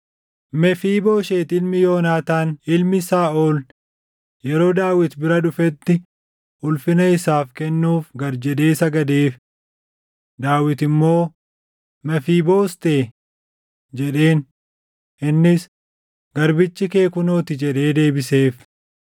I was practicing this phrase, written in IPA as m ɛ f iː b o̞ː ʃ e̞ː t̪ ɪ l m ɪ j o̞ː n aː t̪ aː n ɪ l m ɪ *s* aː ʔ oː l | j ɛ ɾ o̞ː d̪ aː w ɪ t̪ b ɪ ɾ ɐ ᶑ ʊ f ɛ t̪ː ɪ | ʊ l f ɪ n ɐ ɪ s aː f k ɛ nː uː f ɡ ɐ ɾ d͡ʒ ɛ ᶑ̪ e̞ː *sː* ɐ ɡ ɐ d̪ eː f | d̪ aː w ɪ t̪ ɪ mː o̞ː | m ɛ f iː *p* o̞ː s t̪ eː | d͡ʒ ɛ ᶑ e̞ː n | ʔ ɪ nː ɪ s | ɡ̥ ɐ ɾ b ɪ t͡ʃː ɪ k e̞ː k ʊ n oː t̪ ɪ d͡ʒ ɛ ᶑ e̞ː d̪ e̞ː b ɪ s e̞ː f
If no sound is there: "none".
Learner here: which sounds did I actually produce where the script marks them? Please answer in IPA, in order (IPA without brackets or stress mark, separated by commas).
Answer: s, s, b